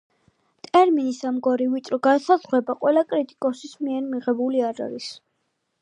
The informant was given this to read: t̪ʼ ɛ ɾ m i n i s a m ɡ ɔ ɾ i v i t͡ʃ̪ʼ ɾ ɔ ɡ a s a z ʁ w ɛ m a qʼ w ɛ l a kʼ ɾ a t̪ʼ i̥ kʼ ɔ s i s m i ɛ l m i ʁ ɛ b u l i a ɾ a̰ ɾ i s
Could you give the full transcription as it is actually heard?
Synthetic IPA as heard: t̪ʼ ɛ ɾ m i n i s a m ɡ ɔ ɾ i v i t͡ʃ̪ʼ ɾ ɔ ɡ a s a z ʁ w ɛ b a qʼ w ɛ l a kʼ ɾ i t̪ʼ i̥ kʼ ɔ s i s m i ɛ ɾ m i ʁ ɛ b u l i a ɾ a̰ ɾ i s